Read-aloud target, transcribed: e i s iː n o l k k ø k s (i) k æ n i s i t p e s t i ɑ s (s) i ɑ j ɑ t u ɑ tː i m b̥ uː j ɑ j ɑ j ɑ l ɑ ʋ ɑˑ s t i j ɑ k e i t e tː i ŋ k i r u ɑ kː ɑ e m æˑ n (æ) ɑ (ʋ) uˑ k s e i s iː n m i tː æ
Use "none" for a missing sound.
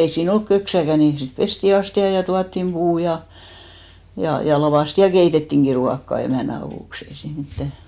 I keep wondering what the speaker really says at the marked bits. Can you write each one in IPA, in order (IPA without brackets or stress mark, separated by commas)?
æ, t, æ, ʋ